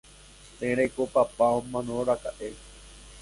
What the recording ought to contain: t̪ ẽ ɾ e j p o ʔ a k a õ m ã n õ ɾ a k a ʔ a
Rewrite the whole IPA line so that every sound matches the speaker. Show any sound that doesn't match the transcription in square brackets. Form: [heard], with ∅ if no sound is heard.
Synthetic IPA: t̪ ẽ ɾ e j [k] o [p] a [p] a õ m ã n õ ɾ a k a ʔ [e]